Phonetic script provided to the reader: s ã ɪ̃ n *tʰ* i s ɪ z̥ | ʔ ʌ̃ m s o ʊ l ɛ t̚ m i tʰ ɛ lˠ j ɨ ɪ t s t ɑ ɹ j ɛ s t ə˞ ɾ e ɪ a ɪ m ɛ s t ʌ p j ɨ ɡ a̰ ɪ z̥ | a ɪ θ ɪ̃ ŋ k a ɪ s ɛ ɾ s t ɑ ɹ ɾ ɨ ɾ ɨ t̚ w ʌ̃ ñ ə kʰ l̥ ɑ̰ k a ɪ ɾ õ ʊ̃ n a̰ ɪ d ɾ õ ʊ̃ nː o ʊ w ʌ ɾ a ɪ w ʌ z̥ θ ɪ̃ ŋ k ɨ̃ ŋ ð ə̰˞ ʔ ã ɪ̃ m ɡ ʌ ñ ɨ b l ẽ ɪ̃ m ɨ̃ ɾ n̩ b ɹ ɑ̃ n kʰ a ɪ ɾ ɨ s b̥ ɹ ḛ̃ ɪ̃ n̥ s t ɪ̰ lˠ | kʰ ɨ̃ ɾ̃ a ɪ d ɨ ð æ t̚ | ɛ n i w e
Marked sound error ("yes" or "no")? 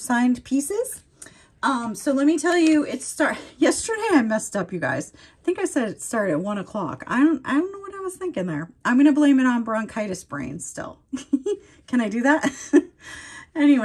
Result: yes